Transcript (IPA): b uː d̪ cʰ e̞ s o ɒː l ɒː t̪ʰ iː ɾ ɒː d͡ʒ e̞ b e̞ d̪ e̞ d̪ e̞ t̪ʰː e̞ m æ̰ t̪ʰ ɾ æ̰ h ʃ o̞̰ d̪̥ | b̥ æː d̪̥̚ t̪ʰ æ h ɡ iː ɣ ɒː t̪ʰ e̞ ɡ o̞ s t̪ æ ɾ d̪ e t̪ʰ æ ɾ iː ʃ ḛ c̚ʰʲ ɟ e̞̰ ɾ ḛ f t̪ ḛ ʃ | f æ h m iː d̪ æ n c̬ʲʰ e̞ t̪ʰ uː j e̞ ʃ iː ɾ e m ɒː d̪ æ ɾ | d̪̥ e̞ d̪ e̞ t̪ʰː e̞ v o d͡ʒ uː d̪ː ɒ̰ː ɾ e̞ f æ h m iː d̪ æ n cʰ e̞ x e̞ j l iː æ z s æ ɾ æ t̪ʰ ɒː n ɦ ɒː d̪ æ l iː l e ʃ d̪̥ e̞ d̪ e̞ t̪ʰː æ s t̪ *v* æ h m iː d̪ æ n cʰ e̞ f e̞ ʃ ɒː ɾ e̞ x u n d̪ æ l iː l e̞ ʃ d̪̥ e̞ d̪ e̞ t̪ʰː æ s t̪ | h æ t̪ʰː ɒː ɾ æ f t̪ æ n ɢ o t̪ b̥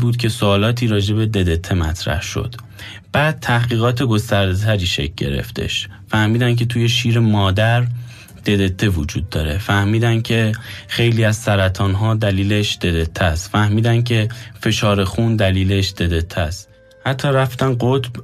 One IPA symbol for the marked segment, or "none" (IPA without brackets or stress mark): f